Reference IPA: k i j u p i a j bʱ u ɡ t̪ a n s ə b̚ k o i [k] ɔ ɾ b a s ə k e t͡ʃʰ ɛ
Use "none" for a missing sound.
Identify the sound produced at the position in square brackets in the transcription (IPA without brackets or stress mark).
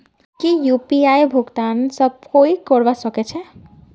k